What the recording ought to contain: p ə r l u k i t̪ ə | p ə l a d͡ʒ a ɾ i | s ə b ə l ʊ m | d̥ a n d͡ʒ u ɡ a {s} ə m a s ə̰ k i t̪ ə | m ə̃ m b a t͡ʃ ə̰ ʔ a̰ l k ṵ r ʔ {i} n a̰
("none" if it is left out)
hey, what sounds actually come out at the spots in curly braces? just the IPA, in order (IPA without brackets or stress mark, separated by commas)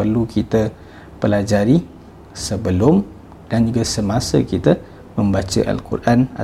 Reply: s, a